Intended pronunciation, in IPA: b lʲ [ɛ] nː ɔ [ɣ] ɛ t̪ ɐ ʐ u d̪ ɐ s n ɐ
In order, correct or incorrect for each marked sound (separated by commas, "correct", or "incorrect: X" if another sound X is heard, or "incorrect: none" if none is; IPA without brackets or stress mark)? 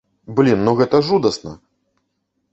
incorrect: i, correct